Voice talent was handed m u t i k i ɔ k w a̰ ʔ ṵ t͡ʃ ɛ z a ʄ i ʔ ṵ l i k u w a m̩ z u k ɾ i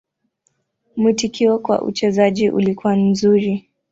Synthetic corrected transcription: m u t i k i ɔ k w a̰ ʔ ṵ t͡ʃ ɛ z a ʄ i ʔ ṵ l i k u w a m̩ z u ɾ i